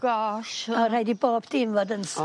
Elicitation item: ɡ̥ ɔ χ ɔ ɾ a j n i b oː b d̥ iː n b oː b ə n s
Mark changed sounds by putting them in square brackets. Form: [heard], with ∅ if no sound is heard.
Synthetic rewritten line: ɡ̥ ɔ [ʃ] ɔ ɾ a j [d] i b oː b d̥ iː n [v] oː [d] ə n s